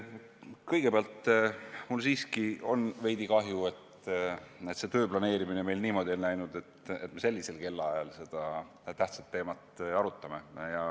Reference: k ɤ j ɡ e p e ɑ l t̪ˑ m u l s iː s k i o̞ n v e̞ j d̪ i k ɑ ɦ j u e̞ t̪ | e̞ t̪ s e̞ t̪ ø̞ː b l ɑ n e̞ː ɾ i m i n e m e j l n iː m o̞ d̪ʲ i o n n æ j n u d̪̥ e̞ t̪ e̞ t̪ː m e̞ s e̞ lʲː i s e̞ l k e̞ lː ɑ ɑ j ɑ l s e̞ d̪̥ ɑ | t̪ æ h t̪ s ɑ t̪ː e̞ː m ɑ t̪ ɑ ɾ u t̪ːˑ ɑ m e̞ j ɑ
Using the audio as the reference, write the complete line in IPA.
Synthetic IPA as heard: k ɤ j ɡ e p e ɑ l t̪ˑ m u l s iː s k i o̞ n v e̞ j d̪ i k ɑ ɦ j u e̞ t̪ | e̞ t̪ s e̞ t̪ ø̞ː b l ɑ n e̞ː ɾ i m i n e m e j l n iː m o̞ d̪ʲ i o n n æ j n u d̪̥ e̞ t̪ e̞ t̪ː m e̞ s e̞ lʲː i s e̞ l k e̞ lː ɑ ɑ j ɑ l s e̞ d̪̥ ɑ | t̪ æ h t̪ s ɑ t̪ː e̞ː m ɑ t̪ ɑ ɾ u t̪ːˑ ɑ m e̞ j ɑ